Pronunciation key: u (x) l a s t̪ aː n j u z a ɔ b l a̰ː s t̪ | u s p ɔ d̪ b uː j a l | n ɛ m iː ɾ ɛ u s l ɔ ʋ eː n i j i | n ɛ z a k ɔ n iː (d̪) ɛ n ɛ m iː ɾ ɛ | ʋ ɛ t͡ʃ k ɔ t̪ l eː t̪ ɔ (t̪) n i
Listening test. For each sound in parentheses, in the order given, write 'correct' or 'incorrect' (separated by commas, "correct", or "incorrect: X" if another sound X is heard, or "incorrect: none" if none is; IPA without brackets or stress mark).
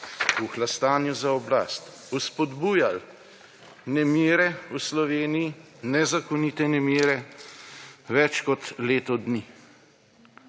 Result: correct, incorrect: t̪, incorrect: d̪